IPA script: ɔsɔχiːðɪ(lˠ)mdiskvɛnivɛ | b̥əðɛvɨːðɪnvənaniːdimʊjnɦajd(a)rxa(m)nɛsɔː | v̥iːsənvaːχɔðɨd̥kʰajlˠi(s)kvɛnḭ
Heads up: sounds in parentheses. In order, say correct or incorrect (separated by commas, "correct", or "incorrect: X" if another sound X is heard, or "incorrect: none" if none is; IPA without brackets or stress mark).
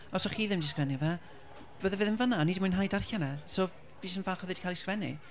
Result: incorrect: none, correct, incorrect: none, correct